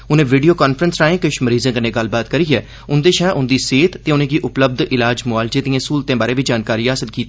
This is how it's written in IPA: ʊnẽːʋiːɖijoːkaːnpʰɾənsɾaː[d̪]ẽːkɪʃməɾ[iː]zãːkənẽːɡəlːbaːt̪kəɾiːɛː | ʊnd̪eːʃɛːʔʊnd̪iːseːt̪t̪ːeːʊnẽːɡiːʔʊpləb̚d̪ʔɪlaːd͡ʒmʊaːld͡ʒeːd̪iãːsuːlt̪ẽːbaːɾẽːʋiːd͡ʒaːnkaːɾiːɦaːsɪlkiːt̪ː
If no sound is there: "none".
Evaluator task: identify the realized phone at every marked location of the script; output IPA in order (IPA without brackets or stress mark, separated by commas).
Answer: none, iː